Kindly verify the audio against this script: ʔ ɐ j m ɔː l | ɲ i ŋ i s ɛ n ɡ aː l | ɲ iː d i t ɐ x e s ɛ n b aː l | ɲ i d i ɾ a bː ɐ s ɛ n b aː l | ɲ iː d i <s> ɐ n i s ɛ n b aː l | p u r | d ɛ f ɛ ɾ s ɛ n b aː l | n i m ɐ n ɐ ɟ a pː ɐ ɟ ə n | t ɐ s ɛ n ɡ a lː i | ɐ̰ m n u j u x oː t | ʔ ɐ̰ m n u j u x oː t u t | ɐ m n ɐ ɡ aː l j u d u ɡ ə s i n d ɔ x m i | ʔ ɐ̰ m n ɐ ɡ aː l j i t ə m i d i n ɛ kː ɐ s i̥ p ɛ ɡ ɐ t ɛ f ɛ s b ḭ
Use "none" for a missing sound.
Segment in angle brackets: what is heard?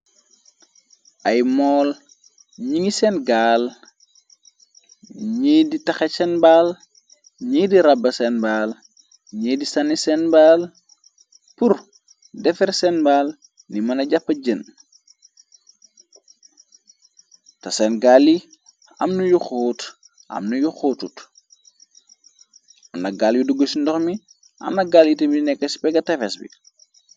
s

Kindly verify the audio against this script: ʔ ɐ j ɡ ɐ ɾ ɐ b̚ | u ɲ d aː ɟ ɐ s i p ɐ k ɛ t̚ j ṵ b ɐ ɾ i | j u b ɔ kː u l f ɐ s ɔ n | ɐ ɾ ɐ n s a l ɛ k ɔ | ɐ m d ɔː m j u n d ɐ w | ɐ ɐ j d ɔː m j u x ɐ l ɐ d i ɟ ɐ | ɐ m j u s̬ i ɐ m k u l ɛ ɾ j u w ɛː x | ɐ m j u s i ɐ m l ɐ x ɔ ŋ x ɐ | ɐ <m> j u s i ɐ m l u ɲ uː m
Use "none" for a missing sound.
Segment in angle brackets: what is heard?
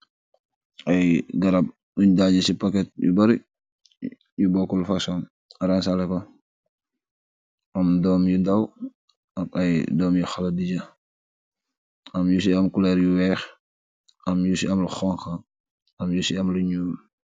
m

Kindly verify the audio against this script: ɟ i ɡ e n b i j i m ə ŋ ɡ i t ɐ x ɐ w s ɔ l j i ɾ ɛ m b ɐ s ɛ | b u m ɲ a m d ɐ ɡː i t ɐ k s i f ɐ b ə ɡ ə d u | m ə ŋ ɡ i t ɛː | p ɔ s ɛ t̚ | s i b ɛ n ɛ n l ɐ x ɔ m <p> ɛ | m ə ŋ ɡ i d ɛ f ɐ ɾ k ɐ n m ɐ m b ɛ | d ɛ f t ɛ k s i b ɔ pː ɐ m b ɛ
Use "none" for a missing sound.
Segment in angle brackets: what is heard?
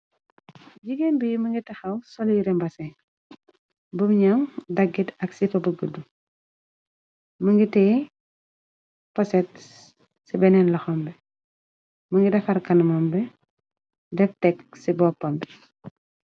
b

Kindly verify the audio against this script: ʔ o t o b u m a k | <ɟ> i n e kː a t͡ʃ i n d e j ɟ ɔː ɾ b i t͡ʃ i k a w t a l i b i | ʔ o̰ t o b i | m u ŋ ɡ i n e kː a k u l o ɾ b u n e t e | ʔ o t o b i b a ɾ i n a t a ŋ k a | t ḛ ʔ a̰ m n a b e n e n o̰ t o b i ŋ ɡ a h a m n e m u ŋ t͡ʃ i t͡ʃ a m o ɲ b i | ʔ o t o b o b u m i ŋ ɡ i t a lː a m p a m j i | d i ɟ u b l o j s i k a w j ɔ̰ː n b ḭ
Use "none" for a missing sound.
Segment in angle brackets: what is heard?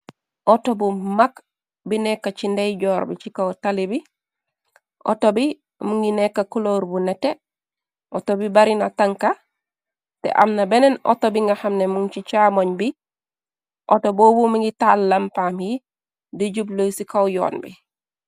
b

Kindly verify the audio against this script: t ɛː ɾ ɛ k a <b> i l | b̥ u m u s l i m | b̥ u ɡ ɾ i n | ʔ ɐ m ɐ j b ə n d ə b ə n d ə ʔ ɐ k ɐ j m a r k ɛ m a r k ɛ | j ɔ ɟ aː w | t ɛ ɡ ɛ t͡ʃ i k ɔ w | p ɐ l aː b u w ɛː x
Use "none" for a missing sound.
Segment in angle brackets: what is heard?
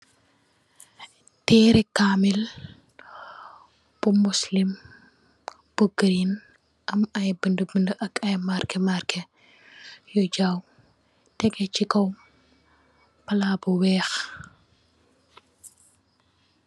m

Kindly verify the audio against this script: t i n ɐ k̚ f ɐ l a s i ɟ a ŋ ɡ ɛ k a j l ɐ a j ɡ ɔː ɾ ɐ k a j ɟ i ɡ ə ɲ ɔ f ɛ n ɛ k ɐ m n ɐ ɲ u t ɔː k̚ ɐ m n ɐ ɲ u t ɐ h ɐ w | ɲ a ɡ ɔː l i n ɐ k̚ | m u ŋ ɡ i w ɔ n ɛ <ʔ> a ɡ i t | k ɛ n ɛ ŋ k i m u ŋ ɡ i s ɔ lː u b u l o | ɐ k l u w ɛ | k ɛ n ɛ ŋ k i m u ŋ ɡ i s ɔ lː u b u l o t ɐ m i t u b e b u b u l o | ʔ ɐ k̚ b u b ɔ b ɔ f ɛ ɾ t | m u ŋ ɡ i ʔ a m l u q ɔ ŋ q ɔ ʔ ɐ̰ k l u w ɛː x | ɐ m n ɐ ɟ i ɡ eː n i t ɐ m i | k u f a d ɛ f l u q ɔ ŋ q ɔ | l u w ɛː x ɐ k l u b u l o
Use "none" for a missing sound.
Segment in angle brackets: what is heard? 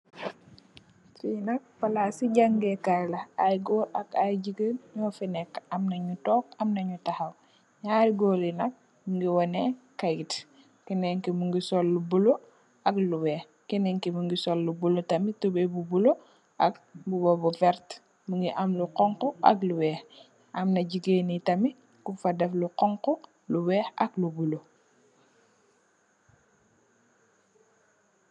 k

